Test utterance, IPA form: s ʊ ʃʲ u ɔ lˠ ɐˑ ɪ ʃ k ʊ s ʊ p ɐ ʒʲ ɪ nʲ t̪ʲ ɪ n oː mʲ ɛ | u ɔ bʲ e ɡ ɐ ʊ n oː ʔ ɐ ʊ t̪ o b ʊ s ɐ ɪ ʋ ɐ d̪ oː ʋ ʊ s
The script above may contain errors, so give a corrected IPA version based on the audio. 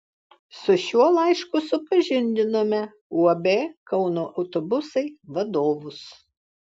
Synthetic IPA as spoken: s ʊ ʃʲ u ɔ lˠ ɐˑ ɪ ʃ k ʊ s ʊ p ɐ ʒʲ ɪ nʲ d̪ʲ ɪ n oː mʲ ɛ | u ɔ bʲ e k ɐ ʊ n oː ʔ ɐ ʊ t̪ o b ʊ s ɐ ɪ ʋ ɐ d̪ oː ʋ ʊ s